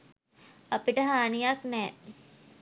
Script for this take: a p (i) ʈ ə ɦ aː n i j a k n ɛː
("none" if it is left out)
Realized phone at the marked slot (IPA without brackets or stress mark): i